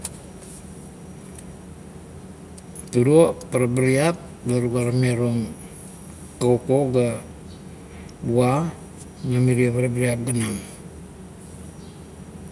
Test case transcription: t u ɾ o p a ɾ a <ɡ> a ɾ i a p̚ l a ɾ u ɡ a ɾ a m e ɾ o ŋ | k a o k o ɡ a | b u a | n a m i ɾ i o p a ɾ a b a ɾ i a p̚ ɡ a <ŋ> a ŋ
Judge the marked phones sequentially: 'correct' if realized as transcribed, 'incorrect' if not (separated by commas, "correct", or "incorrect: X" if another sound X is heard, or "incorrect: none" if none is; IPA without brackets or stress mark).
incorrect: b, incorrect: n